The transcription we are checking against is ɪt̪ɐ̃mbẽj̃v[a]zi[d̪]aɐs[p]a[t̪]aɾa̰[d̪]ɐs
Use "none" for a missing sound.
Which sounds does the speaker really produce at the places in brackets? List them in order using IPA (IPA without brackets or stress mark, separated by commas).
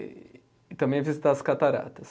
i, t̪, k, t̪, t̪